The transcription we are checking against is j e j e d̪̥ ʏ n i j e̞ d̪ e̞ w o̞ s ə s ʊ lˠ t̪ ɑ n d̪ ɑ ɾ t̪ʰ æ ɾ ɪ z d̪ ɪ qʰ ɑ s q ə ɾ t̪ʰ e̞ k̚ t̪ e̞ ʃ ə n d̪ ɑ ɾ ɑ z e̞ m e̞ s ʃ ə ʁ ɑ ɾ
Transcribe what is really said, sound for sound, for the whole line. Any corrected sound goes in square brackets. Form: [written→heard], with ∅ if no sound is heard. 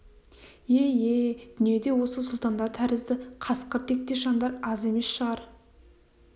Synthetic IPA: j e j e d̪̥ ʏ n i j e̞ d̪ e̞ w o̞ s ə s ʊ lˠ t̪ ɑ n d̪ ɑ ɾ t̪ʰ æ ɾ ɪ z d̪ ɪ qʰ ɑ s q ə ɾ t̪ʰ e̞ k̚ t̪ e̞ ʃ [ə→ɑ] n d̪ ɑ ɾ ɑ z e̞ m e̞ s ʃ ə ʁ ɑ ɾ